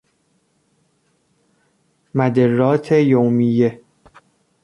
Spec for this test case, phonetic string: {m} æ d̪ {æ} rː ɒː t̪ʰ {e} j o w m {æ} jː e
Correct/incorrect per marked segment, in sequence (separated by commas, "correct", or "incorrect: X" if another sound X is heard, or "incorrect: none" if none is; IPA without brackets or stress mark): correct, incorrect: e, correct, incorrect: i